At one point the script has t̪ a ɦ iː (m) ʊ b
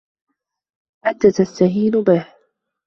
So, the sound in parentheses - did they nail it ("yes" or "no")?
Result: no